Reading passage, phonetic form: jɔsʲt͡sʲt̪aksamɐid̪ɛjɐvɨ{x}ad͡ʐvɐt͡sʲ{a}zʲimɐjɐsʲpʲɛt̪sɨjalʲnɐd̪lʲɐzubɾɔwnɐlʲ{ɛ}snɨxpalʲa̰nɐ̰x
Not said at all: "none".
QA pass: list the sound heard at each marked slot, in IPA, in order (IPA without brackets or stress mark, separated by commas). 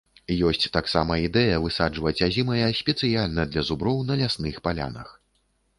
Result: s, a, a